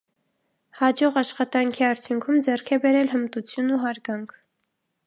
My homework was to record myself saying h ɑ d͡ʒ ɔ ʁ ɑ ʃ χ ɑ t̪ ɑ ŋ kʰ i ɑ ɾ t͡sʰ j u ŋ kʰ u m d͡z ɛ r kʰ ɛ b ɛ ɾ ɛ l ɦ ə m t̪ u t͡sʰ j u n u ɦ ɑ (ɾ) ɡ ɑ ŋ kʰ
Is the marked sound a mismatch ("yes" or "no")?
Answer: no